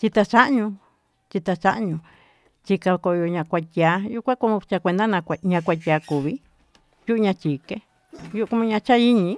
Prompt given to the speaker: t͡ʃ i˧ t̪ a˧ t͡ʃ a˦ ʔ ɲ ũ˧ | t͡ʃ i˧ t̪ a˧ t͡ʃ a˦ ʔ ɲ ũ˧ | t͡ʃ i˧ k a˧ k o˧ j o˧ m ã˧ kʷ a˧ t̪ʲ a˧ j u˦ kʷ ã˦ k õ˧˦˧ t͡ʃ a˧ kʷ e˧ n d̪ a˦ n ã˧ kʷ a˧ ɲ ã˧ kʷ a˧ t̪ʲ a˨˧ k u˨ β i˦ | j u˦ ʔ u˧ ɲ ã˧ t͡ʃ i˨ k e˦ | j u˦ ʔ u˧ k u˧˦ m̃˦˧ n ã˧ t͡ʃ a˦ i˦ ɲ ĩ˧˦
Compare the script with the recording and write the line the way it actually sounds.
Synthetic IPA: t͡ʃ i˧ t̪ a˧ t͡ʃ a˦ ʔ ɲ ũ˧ | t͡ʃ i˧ t̪ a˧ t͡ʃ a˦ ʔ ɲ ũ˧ | t͡ʃ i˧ k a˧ k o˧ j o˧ ɲ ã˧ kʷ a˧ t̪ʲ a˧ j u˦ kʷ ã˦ k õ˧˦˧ t͡ʃ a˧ kʷ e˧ n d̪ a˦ n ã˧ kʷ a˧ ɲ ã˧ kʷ a˧ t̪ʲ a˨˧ k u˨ β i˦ | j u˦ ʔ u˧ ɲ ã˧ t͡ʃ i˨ k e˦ | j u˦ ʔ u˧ k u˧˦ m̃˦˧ ɲ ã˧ t͡ʃ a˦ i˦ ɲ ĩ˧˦

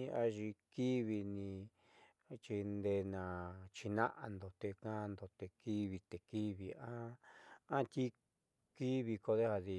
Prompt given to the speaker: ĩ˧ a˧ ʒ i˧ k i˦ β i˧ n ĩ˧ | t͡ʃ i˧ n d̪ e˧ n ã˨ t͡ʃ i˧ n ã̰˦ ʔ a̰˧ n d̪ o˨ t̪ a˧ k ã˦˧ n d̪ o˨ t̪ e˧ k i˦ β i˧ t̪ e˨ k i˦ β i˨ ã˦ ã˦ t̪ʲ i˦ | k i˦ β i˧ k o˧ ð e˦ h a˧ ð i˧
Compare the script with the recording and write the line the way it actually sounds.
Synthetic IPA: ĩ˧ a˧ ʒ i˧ k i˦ β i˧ n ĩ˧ | t͡ʃ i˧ n d̪ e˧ n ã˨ t͡ʃ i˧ n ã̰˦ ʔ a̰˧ n d̪ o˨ t̪ e˧ k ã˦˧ n d̪ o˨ t̪ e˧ k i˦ β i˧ t̪ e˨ k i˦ β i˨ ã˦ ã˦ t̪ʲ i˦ | k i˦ β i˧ k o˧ ð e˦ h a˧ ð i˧

